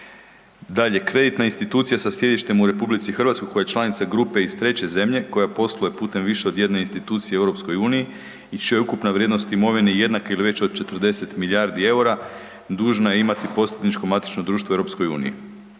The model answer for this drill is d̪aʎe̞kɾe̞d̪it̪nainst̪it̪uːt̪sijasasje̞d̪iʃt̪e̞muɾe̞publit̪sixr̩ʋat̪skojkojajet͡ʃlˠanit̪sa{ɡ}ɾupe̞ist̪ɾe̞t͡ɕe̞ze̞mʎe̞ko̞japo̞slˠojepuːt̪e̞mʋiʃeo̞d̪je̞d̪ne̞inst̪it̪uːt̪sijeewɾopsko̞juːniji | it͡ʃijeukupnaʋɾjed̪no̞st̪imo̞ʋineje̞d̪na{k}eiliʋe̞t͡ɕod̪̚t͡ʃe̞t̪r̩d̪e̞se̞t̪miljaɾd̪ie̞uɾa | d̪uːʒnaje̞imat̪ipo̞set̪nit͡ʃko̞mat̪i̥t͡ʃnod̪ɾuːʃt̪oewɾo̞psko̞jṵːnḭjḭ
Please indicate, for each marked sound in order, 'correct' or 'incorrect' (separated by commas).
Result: correct, correct